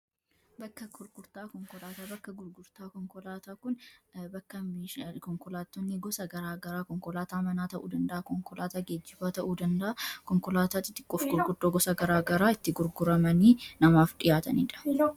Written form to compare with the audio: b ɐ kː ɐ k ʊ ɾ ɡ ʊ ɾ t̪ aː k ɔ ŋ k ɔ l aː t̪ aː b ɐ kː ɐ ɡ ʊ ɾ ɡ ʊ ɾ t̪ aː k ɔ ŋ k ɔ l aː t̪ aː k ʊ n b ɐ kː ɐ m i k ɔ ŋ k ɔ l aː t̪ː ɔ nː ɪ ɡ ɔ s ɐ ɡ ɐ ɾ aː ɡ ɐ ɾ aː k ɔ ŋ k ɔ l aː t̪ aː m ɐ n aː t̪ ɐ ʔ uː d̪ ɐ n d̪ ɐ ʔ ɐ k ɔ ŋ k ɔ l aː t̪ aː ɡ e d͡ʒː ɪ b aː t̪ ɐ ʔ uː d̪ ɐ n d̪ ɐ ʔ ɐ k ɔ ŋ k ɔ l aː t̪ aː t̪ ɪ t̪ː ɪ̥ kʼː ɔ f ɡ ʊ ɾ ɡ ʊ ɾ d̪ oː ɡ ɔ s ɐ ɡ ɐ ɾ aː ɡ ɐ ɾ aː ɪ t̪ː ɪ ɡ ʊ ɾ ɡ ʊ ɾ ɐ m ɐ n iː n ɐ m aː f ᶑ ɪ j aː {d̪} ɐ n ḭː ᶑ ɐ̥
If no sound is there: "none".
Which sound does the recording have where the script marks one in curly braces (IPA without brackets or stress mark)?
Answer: t̪